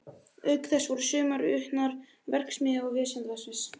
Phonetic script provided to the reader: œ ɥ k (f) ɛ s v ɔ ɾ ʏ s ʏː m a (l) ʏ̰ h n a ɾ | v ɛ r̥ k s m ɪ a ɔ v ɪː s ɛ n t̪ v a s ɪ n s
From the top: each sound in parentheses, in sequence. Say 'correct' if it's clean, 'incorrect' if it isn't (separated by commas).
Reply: incorrect, incorrect